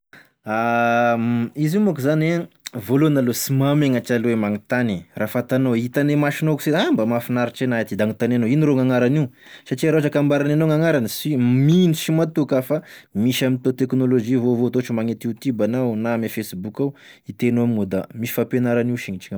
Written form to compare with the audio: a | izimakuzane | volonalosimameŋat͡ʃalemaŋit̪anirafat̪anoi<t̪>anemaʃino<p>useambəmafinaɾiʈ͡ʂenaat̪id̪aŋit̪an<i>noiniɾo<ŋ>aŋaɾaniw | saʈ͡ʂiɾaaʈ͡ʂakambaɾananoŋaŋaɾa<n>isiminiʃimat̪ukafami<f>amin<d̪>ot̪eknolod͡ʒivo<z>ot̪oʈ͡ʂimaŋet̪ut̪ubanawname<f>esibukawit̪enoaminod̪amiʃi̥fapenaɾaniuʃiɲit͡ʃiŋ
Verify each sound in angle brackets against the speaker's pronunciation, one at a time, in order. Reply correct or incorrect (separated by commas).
correct, incorrect, incorrect, correct, correct, incorrect, incorrect, incorrect, correct